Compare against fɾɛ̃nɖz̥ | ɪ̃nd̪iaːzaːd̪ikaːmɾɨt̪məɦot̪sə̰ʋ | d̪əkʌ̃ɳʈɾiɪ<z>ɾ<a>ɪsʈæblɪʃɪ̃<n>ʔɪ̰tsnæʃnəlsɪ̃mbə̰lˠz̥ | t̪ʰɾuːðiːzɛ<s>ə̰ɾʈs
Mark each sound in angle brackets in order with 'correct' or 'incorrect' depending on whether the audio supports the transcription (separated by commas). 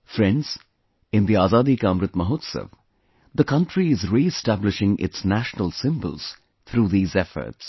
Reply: correct, incorrect, incorrect, incorrect